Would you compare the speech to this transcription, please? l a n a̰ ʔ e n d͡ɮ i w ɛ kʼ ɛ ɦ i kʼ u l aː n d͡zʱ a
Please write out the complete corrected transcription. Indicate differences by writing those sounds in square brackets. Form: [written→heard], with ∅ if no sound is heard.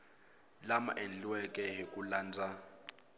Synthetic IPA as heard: l a [n→m] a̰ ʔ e n d͡ɮ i w ɛ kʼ ɛ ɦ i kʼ u l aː n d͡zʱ a